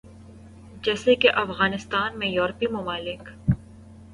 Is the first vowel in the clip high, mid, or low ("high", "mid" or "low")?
mid